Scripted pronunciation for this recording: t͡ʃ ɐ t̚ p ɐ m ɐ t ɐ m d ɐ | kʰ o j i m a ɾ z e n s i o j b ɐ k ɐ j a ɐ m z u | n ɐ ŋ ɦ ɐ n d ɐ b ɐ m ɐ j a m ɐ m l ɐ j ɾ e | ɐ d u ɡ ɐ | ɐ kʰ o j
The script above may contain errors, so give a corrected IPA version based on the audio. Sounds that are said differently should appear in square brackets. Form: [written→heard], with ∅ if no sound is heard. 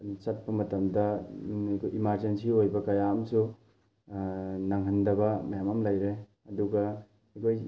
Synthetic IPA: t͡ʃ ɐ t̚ p ɐ m ɐ t ɐ m d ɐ | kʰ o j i m a ɾ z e n s i o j b ɐ k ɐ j a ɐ m [z→s] u | n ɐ ŋ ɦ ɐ n d ɐ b ɐ m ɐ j a m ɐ m l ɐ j ɾ e | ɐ d u ɡ ɐ | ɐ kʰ o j